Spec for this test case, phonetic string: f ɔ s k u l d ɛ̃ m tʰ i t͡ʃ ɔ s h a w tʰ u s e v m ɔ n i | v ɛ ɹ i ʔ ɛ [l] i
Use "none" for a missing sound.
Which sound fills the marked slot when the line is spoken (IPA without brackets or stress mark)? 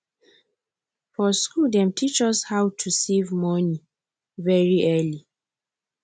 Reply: l